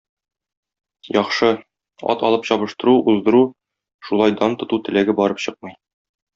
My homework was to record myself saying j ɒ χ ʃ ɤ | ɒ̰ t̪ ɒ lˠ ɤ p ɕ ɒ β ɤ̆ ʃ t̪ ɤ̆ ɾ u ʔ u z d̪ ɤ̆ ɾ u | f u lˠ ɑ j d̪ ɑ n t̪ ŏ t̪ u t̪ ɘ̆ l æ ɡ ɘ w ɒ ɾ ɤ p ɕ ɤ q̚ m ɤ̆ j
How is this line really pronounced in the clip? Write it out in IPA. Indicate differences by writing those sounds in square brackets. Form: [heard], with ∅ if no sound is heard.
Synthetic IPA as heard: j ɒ χ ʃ ɤ | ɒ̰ t̪ ɒ lˠ ɤ p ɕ ɒ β ɤ̆ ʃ t̪ ɤ̆ ɾ u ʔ u z d̪ ɤ̆ ɾ u | [ʃ] u lˠ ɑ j d̪ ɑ n t̪ ŏ t̪ u t̪ ɘ̆ l æ ɡ ɘ [b] ɒ ɾ ɤ p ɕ ɤ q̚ m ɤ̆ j

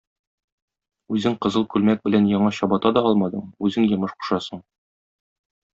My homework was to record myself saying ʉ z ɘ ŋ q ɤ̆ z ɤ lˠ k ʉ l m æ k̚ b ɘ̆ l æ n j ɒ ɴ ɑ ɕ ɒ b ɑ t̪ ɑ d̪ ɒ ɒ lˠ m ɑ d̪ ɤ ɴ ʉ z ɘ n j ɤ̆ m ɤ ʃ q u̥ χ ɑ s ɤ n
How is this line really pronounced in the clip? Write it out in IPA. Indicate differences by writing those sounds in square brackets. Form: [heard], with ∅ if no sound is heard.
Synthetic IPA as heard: ʉ z ɘ ŋ q ɤ̆ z ɤ lˠ k ʉ l m æ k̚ b ɘ̆ l æ n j ɒ ɴ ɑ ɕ ɒ b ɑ t̪ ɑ d̪ ɒ ɒ lˠ m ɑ d̪ ɤ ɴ ʉ z ɘ [ŋ] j ɤ̆ m ɤ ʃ q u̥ [ʃ] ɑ s ɤ [ɴ]

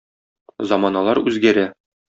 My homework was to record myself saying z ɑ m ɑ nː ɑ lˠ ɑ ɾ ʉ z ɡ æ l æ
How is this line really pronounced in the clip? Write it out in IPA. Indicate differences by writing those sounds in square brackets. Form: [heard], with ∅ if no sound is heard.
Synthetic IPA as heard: z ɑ m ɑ [n] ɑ lˠ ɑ ɾ ʉ z ɡ æ [ɾ] æ

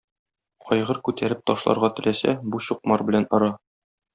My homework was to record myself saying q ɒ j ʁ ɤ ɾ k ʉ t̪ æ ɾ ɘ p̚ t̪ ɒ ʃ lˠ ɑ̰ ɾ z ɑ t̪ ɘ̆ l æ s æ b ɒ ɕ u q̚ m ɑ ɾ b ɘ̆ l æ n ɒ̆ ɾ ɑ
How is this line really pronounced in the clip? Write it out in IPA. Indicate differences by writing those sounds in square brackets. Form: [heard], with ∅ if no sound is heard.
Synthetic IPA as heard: q ɒ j ʁ ɤ ɾ k ʉ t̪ æ ɾ ɘ p̚ t̪ ɒ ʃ lˠ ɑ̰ ɾ [ʁ] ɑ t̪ ɘ̆ l æ s æ b [u] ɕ u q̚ m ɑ ɾ b ɘ̆ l æ n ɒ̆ ɾ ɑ

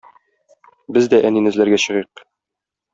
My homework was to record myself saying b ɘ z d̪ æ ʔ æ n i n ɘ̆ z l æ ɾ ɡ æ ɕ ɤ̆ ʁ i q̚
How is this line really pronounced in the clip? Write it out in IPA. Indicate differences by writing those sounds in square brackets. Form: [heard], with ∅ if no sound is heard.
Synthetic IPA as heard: b ɘ z d̪ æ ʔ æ n i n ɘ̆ z l æ ɾ ɡ æ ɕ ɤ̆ ʁ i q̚

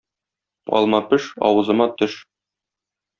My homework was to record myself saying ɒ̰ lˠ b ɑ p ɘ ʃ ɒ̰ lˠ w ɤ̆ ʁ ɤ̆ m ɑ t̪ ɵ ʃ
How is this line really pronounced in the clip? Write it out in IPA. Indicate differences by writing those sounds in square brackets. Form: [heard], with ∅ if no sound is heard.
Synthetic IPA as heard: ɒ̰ lˠ [m] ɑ p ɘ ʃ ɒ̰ [∅] w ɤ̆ [z] ɤ̆ m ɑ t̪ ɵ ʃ

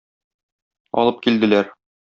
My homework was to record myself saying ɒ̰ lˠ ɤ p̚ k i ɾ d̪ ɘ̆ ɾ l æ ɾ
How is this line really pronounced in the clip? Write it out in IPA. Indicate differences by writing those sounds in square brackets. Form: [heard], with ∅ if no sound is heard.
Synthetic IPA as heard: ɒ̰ lˠ ɤ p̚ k i [l] d̪ ɘ̆ [∅] l æ ɾ

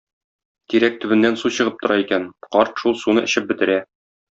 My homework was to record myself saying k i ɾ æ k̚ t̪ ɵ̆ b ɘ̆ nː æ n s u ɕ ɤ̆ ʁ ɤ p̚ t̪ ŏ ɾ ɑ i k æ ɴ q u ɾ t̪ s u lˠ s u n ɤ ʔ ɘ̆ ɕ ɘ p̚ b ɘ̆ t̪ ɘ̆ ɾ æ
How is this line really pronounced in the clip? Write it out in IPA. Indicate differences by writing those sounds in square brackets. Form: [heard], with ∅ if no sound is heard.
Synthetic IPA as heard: k i ɾ æ k̚ t̪ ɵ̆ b ɘ̆ nː æ n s u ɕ ɤ̆ ʁ ɤ p̚ t̪ ŏ ɾ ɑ i k æ [n] q [ɒ] ɾ t̪ [ʃ] u lˠ s u n ɤ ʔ ɘ̆ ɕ ɘ p̚ b ɘ̆ t̪ ɘ̆ ɾ æ

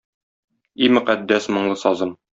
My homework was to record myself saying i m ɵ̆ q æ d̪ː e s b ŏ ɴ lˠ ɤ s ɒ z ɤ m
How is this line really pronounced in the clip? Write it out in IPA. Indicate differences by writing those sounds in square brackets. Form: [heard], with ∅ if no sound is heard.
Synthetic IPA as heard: i m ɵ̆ q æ d̪ː [æ] s [m] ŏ ɴ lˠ ɤ s ɒ z ɤ m

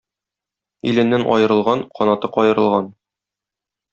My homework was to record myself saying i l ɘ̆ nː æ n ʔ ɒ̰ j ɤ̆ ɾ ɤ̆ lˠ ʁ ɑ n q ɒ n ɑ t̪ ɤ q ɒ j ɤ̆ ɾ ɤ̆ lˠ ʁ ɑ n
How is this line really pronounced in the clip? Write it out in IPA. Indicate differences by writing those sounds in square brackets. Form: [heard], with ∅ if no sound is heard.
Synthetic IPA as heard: i l ɘ̆ nː æ n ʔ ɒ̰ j ɤ̆ ɾ ɤ̆ lˠ ʁ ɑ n q ɒ n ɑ t̪ ɤ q ɒ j ɤ̆ ɾ ɤ̆ lˠ ʁ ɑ n

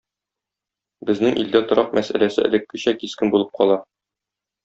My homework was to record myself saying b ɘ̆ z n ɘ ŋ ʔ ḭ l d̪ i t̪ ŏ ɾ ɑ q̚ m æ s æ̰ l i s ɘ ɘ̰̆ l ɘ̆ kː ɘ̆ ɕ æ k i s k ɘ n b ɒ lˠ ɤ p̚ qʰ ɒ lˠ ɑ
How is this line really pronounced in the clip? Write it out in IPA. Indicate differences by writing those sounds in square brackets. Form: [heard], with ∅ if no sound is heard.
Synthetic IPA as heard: b ɘ̆ z n ɘ ŋ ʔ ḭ l d̪ [æ] t̪ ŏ ɾ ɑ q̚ m æ s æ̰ l [æ] s ɘ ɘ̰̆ l ɘ̆ kː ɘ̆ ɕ æ k i s k ɘ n b [u] lˠ ɤ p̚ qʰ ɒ lˠ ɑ

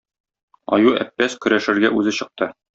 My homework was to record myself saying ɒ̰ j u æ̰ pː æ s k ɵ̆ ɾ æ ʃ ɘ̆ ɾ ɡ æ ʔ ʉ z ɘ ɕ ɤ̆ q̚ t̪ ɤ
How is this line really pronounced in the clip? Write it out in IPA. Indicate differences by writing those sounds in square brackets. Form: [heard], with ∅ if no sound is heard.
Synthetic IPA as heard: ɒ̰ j u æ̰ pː æ s k ɵ̆ ɾ æ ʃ ɘ̆ ɾ ɡ æ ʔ ʉ z ɘ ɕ ɤ̆ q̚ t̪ ɤ

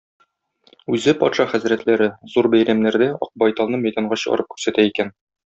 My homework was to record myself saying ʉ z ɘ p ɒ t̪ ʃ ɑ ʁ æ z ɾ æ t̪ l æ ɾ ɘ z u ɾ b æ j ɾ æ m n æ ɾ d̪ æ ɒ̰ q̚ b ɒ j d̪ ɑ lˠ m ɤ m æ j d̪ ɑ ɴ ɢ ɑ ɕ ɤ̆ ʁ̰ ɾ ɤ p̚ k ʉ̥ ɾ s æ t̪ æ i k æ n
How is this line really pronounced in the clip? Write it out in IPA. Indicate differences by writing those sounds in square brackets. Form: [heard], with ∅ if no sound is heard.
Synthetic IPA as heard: ʉ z ɘ p ɒ t̪ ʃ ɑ [χ] æ z ɾ æ t̪ l æ ɾ ɘ z u ɾ b æ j ɾ æ m n æ ɾ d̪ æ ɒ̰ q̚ b ɒ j [t̪] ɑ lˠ [n] ɤ m æ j d̪ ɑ ɴ ɢ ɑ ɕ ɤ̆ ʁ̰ ɾ ɤ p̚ k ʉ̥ ɾ s æ t̪ æ i k æ n

